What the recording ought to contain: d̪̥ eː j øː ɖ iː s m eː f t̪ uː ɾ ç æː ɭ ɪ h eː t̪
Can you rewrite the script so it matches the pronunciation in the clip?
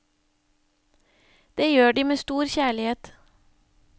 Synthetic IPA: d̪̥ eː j øː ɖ iː m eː s t̪ uː ɾ ç æː ɭ ɪ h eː t̪